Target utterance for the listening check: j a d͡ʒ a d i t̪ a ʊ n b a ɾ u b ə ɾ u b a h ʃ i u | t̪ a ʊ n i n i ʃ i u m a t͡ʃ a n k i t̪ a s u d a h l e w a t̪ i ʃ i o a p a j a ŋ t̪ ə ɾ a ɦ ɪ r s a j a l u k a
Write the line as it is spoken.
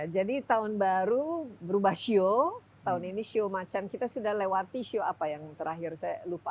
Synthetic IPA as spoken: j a d͡ʒ a d i t̪ a ʊ n b a ɾ u b ə ɾ u b a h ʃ i o | t̪ a ʊ n i n i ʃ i o m a t͡ʃ a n k i t̪ a s u d a h l e w a t̪ i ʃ i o a p a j a ŋ t̪ ə ɾ a ɦ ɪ r s a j a l u p a